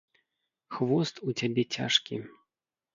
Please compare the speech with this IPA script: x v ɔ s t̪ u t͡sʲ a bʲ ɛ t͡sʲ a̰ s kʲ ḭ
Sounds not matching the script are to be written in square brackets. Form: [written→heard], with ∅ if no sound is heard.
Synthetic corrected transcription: x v ɔ s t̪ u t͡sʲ a bʲ ɛ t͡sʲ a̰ [s→ʂ] kʲ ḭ

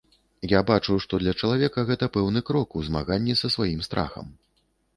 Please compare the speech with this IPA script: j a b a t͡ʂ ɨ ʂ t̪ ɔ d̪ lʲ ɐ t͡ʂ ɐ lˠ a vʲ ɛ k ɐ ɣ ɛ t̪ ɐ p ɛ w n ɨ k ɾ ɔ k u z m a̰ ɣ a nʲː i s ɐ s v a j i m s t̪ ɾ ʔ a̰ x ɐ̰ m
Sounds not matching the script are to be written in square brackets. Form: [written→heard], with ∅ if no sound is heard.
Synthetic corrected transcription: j a b a t͡ʂ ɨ ʂ t̪ ɔ d̪ lʲ ɐ t͡ʂ ɐ lˠ a vʲ ɛ k ɐ ɣ ɛ t̪ ɐ p ɛ w n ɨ k ɾ ɔ k u z m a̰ ɣ a nʲː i s ɐ s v a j i m s t̪ ɾ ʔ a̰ x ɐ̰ m

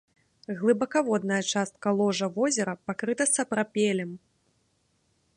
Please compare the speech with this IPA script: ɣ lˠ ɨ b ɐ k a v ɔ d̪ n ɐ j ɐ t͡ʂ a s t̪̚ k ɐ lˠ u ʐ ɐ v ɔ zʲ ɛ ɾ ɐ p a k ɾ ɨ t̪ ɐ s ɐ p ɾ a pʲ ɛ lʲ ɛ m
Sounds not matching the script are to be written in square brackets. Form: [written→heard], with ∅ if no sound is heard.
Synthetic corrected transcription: ɣ lˠ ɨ b ɐ k a v ɔ d̪ n ɐ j ɐ t͡ʂ a s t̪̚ k ɐ lˠ [u→ɔ] ʐ ɐ v ɔ zʲ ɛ ɾ ɐ p a k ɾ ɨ t̪ ɐ s ɐ p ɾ a pʲ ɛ lʲ ɛ m

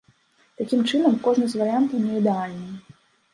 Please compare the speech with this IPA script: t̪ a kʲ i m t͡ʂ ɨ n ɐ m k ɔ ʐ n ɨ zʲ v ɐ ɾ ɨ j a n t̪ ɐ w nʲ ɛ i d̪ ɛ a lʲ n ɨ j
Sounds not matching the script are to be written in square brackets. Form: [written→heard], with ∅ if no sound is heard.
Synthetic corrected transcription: t̪ a kʲ i m t͡ʂ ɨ n ɐ m k ɔ ʐ n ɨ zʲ v ɐ ɾ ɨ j a n t̪ ɐ w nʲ ɛ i d̪ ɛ a lʲ n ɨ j

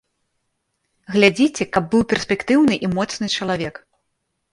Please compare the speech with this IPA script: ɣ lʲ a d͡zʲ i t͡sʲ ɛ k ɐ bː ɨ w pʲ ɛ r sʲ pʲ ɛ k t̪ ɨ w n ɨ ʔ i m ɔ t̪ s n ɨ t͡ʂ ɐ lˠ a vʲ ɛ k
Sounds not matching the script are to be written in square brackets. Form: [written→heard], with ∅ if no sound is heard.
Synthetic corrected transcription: ɣ lʲ a d͡zʲ i t͡sʲ ɛ k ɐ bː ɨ w pʲ ɛ r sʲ pʲ ɛ k t̪ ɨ w n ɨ ʔ i m ɔ t̪ s n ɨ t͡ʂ ɐ lˠ a vʲ ɛ k

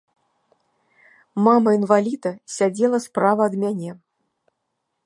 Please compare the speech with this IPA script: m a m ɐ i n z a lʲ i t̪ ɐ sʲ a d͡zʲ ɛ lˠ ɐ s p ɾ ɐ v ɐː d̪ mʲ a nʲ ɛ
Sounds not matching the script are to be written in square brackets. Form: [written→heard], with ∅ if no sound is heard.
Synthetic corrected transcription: m a m ɐ i n [z→v] a lʲ i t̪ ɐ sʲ a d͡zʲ ɛ lˠ ɐ s p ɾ [ɐ→a] v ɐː d̪ mʲ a nʲ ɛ

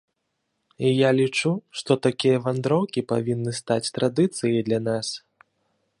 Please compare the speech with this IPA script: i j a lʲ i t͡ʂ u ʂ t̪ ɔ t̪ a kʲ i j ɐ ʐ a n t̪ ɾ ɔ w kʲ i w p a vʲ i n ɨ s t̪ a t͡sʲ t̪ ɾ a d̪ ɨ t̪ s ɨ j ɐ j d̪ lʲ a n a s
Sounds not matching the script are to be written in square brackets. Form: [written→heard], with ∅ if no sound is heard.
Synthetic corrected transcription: i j a lʲ i t͡ʂ u ʂ t̪ ɔ t̪ a kʲ i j ɐ [ʐ→v] a n [t̪→d̪] ɾ ɔ w kʲ i [w→∅] p a vʲ i [n→nː] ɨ s t̪ a t͡sʲ t̪ ɾ a d̪ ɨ t̪ s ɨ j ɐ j d̪ lʲ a n a s

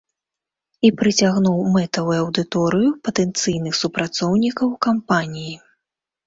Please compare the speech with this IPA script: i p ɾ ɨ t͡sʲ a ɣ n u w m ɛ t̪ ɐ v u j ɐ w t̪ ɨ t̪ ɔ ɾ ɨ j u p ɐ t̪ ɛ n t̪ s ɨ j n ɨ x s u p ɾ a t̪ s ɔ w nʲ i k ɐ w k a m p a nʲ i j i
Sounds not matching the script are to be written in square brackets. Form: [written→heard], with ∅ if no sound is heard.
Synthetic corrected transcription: i p ɾ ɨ t͡sʲ a ɣ n u w m ɛ t̪ ɐ v u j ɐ w [t̪→d̪] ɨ t̪ ɔ ɾ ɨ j u p ɐ t̪ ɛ n t̪ s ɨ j n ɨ x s u p ɾ a t̪ s ɔ w nʲ i k ɐ w k a m p a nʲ i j i

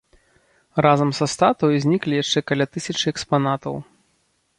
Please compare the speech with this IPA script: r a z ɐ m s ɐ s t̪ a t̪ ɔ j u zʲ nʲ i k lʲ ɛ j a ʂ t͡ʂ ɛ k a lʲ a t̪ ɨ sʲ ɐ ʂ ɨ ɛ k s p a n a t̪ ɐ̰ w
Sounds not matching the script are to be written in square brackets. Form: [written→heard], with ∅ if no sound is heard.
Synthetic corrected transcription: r a z ɐ m s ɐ s t̪ a t̪ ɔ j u zʲ nʲ i k lʲ [ɛ→i] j a ʂ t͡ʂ ɛ k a lʲ a t̪ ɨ sʲ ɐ [ʂ→t͡ʂ] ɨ ɛ k s p a n a t̪ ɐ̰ w

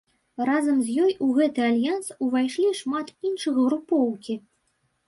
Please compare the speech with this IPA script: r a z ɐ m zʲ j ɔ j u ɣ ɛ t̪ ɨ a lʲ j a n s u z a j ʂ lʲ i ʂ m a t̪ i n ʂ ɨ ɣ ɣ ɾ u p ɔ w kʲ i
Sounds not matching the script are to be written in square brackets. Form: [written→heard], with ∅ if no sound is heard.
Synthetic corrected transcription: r a z ɐ m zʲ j ɔ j u ɣ ɛ t̪ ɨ a lʲ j a n s u [z→v] a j ʂ lʲ i ʂ m a t̪ i n ʂ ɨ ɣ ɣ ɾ u p ɔ w kʲ i

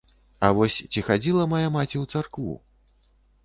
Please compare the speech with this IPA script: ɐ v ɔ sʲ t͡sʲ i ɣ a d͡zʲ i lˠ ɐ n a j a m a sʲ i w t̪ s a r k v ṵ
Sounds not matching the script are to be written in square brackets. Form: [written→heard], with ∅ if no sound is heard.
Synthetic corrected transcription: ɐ v ɔ sʲ t͡sʲ i [ɣ→x] a d͡zʲ i lˠ ɐ [n→m] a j a m a [sʲ→t͡sʲ] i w t̪ s a r k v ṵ

